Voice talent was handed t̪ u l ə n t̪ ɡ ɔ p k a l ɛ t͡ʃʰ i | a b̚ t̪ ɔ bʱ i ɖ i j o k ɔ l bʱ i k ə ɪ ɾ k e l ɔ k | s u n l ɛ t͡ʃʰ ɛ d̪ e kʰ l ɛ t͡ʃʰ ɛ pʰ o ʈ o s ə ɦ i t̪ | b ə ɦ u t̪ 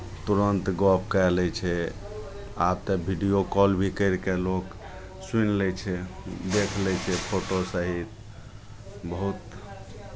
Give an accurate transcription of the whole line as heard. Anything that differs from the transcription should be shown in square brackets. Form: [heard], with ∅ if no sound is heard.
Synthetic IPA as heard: t̪ u [ɾ] ə n t̪ ɡ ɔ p k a l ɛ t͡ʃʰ [ɛ] | a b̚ t̪ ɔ bʱ i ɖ i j o k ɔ l bʱ i k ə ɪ ɾ k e l [o] k | s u n l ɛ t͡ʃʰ ɛ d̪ e kʰ l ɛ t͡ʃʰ ɛ pʰ o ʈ o s ə ɦ i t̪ | b ə ɦ u t̪

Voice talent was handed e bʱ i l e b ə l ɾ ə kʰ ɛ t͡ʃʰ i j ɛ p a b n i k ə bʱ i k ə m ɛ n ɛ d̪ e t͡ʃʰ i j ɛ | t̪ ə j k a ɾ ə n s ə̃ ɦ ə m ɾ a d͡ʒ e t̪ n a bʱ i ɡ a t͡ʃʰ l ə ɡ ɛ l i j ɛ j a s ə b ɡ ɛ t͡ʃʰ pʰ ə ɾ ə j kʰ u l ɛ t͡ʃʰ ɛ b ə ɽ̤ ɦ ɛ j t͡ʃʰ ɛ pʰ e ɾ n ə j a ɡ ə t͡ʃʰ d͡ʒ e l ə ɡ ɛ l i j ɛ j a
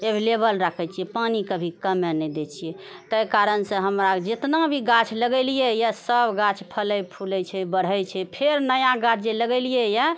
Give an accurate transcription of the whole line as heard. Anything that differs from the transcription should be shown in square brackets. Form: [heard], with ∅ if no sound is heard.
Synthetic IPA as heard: e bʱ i l e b ə l ɾ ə kʰ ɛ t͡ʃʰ i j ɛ p a [∅] n i k ə bʱ i k ə m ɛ n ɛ d̪ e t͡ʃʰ i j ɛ | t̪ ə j k a ɾ ə n s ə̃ ɦ ə m ɾ a d͡ʒ e t̪ n a bʱ i ɡ a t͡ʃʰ l ə ɡ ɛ l i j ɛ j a s ə b ɡ [a] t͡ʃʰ pʰ ə [l] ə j [pʰ] u l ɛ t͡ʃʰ ɛ b ə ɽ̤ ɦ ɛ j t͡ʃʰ ɛ pʰ e ɾ n ə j a ɡ [a] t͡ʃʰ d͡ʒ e l ə ɡ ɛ l i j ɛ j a

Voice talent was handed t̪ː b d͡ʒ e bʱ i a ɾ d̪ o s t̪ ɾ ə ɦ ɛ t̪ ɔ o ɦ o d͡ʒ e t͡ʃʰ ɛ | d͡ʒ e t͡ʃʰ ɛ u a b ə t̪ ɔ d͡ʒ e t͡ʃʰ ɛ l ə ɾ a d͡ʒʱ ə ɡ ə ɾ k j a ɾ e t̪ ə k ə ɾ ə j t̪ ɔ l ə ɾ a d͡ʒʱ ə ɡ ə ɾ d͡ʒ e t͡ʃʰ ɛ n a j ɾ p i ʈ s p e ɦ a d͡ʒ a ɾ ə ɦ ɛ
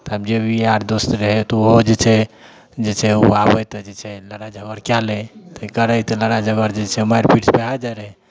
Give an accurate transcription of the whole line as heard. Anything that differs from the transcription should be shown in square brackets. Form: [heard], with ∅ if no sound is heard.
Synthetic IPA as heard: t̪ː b d͡ʒ e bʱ i a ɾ d̪ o s t̪ ɾ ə ɦ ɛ t̪ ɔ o ɦ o d͡ʒ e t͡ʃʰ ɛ | d͡ʒ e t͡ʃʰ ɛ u a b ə t̪ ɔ d͡ʒ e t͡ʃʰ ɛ l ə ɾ a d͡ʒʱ ə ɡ ə ɾ k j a [l] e t̪ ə k ə ɾ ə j t̪ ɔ l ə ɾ a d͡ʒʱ ə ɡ ə ɾ d͡ʒ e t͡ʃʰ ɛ [m] a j ɾ p i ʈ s p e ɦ a d͡ʒ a ɾ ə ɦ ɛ

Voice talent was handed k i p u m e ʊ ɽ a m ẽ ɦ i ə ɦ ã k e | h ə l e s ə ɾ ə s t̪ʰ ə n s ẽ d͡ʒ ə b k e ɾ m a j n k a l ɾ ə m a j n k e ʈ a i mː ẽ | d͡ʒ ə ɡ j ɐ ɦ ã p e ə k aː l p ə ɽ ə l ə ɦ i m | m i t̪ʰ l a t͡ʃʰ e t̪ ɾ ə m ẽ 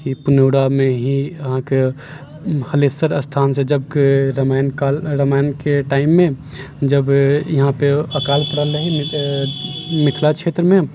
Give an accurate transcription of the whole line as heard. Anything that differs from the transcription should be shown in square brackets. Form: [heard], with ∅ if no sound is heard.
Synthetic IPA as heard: k i p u [n] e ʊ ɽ a m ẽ ɦ i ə ɦ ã k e | h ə l e s ə ɾ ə s t̪ʰ [a] n s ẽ d͡ʒ ə b k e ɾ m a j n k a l ɾ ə m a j n k e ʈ a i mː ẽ | d͡ʒ ə [b] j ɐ ɦ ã p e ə k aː l p ə ɽ ə l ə ɦ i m | m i t̪ʰ l a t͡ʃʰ e t̪ ɾ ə m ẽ

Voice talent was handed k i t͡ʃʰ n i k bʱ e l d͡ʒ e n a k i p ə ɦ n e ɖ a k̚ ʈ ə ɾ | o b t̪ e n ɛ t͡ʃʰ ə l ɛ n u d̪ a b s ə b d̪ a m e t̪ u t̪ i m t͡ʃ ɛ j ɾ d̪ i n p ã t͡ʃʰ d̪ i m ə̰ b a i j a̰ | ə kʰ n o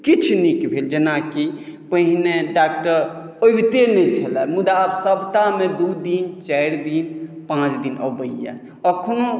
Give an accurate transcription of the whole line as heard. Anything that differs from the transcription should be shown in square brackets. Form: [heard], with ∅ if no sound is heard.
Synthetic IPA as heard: k i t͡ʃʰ n i k bʱ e l d͡ʒ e n a k i p ə ɦ n e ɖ a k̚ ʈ ə ɾ | o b t̪ e n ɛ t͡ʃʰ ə l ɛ [m] u d̪ a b s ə b [t̪] a m e [d̪] u [d̪] i [n] t͡ʃ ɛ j ɾ d̪ i n p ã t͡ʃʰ d̪ i [n] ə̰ b [ə] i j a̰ | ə kʰ n o

